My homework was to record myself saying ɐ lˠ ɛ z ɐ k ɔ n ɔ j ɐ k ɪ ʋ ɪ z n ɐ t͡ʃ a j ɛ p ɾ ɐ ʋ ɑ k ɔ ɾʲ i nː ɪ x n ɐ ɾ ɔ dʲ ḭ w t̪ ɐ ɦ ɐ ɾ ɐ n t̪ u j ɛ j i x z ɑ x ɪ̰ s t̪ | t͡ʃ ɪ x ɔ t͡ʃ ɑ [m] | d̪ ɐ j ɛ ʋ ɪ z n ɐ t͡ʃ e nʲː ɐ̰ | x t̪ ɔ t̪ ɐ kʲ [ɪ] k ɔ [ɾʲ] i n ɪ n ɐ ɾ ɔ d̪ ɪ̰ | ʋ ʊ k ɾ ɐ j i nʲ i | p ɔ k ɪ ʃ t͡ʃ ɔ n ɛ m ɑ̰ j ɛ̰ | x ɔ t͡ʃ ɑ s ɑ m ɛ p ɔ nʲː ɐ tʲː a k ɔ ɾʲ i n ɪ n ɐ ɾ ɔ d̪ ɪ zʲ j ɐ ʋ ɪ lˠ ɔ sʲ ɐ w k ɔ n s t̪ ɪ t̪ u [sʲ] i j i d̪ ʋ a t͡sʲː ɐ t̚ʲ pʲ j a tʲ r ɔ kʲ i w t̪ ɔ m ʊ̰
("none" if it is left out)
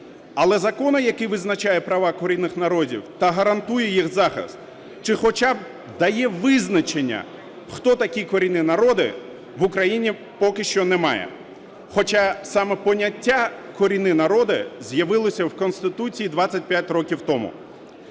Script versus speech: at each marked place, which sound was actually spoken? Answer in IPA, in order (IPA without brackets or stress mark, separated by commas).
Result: b, i, ɾʲ, t͡sʲ